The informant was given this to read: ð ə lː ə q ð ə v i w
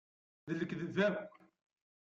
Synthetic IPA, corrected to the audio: ð ə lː ə k ð ə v æ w